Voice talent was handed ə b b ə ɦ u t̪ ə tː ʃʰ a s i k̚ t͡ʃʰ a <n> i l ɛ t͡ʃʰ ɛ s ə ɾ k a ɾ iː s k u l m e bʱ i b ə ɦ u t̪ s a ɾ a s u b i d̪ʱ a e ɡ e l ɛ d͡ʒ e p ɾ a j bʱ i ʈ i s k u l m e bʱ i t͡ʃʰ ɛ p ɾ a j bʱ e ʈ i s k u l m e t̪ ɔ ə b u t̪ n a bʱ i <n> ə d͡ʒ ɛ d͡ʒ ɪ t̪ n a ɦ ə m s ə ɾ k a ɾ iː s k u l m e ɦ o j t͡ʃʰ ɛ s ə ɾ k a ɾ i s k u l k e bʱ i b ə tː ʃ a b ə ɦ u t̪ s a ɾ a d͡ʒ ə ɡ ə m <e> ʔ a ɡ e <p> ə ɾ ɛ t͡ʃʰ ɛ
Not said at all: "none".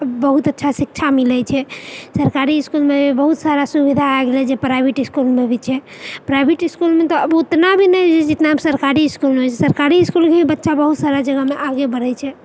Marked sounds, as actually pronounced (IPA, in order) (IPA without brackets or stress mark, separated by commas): m, n, e, b